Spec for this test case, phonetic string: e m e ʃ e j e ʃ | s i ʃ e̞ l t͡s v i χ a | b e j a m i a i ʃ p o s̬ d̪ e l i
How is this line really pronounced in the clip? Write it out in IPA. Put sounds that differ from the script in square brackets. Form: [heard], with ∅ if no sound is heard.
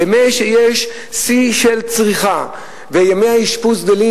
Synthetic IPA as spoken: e m e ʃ e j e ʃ | s i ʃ e̞ l t͡s [ʁ] i χ a | [v] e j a m [e] a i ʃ p [u] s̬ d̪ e l i